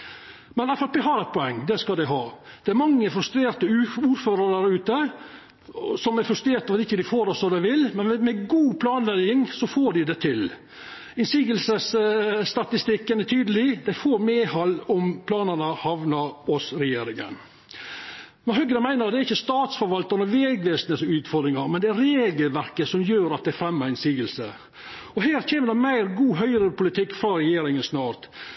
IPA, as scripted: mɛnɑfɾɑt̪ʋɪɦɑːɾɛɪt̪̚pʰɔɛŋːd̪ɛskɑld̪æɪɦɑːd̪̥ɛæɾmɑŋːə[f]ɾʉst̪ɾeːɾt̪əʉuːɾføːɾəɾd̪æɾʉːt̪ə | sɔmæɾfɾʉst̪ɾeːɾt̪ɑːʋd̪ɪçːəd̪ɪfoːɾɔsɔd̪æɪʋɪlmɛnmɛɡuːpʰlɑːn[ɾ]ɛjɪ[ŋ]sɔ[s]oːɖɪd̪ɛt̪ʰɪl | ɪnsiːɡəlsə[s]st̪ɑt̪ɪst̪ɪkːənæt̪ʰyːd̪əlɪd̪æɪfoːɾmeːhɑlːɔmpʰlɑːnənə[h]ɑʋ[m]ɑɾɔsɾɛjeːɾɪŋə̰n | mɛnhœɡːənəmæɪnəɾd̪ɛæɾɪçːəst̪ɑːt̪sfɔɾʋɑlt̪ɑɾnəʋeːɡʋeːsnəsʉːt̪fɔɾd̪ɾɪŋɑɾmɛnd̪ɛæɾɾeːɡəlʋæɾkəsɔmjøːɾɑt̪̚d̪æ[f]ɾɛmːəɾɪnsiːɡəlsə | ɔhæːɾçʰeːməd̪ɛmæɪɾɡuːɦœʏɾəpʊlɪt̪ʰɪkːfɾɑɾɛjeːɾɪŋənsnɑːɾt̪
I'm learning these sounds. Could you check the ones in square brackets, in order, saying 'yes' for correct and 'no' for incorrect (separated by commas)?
yes, no, yes, no, yes, yes, no, yes